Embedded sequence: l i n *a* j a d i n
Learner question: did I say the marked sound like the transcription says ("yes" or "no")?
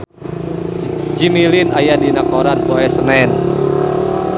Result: yes